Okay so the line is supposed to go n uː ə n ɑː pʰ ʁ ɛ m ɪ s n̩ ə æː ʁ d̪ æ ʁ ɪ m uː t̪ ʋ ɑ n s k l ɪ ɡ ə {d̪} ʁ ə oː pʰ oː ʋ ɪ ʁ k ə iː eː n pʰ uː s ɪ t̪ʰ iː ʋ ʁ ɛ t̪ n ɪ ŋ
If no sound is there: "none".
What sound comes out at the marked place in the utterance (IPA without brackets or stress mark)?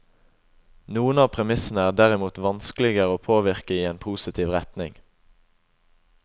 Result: none